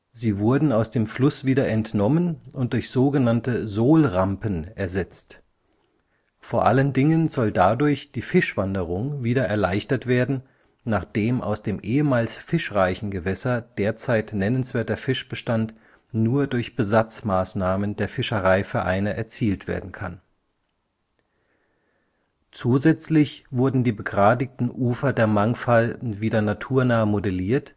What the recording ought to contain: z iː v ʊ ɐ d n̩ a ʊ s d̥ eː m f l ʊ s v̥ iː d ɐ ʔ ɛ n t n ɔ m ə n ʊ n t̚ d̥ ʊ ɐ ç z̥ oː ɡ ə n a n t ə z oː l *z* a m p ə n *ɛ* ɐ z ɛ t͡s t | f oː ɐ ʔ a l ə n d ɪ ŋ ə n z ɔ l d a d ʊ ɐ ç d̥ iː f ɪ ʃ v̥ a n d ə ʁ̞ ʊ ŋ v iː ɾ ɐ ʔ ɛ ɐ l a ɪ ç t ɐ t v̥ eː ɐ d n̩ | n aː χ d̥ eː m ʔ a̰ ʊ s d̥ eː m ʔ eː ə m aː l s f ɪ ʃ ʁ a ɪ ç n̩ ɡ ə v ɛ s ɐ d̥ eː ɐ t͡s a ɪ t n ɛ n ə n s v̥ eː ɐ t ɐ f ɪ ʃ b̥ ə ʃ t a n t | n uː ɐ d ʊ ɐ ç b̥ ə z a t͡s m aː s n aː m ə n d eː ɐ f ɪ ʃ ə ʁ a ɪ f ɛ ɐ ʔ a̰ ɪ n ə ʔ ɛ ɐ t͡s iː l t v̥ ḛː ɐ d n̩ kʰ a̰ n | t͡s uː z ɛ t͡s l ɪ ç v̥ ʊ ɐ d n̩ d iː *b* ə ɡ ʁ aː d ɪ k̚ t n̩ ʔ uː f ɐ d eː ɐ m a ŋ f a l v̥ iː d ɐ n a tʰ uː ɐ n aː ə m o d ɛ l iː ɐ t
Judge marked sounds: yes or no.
no, yes, yes

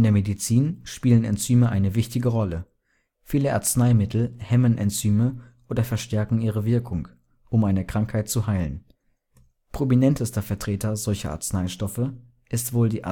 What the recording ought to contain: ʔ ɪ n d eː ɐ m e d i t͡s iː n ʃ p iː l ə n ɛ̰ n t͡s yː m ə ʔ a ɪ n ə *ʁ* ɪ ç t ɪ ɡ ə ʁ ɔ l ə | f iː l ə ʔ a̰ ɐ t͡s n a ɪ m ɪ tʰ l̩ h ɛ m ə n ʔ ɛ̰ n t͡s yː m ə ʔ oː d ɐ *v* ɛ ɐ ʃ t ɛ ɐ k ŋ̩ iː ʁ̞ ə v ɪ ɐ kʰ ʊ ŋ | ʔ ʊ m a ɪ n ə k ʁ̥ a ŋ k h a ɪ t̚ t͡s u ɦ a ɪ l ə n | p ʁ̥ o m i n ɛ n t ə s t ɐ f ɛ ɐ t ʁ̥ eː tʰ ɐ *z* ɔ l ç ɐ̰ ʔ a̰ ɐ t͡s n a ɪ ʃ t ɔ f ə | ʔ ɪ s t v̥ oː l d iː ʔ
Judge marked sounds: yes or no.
no, no, yes

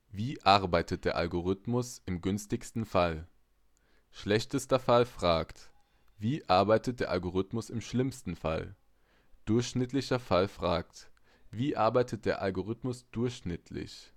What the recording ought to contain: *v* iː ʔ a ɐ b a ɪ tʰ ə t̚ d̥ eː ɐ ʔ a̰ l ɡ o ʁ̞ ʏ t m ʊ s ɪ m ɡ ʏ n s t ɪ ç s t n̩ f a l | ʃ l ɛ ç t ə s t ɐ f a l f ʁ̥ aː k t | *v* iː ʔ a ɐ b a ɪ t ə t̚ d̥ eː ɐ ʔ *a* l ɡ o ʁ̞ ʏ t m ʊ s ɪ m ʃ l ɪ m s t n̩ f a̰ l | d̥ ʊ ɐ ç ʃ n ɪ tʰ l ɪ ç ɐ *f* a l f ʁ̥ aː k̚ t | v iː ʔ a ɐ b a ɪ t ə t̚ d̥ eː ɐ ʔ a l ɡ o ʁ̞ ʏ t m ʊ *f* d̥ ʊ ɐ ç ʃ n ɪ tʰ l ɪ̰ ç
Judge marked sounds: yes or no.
yes, yes, yes, yes, no

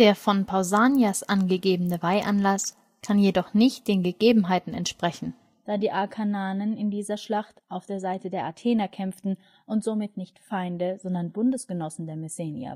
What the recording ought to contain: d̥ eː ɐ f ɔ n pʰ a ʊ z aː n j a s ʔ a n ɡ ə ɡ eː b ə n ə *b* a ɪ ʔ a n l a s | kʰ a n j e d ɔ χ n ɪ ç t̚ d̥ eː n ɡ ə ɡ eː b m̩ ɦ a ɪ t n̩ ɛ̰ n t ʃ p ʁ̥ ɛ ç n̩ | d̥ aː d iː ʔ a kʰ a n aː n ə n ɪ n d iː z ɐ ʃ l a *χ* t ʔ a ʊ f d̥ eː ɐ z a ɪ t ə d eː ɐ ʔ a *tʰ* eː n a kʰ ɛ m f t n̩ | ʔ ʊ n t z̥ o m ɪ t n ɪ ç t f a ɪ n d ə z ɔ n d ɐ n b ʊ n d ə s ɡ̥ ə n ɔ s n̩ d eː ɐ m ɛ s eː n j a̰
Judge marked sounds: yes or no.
no, yes, yes

